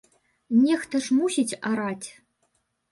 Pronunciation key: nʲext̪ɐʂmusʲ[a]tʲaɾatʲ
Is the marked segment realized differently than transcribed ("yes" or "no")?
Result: yes